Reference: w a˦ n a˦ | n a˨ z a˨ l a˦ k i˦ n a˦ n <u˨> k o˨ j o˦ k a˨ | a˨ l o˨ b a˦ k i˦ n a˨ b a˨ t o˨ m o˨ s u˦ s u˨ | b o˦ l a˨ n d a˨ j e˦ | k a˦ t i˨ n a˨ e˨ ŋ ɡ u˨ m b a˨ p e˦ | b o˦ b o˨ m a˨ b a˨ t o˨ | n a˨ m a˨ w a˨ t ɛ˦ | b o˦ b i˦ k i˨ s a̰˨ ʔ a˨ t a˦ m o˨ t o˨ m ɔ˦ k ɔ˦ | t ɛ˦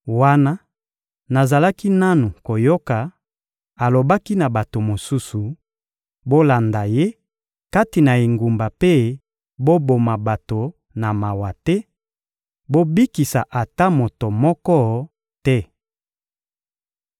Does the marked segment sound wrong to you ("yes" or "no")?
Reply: no